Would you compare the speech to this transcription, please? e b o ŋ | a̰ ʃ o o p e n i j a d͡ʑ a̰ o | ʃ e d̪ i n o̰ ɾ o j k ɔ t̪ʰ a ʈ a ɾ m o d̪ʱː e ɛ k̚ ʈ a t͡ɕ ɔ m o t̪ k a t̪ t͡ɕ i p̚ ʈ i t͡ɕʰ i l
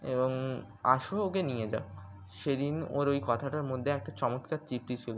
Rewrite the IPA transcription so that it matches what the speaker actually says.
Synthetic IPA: e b o ŋ | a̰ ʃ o o k e n i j e d͡ʑ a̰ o | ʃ e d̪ i n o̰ ɾ o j k ɔ t̪ʰ a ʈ a ɾ m o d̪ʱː e ɛ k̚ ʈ a t͡ɕ ɔ m o t̪ k a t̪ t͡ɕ i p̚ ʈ i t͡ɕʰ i l